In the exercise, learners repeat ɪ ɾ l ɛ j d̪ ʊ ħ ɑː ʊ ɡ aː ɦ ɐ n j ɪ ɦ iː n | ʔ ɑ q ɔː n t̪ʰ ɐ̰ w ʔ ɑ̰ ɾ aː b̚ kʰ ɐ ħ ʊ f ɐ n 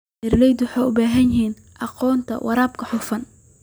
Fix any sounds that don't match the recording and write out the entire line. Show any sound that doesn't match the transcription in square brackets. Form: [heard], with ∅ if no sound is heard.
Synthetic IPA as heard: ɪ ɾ l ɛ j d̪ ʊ ħ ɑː ʊ [b] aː ɦ ɐ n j ɪ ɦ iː n | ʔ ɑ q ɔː n t̪ʰ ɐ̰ w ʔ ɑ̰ ɾ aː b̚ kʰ ɐ ħ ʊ f ɐ n